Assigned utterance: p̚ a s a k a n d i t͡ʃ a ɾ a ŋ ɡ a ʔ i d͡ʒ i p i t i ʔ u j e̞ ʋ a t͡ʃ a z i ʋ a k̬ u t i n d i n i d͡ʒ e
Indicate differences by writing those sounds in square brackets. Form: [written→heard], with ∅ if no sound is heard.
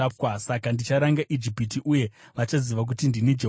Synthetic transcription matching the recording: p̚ a s a k a n d i t͡ʃ a ɾ a ŋ ɡ a ʔ i d͡ʒ i p i t i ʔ u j e̞ ʋ a t͡ʃ a z i ʋ a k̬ u t i n d i n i d͡ʒ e